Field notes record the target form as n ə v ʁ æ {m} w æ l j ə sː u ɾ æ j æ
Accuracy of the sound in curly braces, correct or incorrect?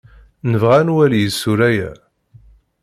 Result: incorrect